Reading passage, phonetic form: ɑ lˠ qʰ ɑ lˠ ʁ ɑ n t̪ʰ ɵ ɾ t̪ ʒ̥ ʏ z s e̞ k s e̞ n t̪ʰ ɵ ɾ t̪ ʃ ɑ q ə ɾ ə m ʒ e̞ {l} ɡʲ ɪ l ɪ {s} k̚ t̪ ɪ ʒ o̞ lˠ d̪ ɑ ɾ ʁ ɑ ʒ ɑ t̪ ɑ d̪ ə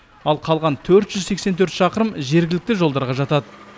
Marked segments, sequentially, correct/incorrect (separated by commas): incorrect, incorrect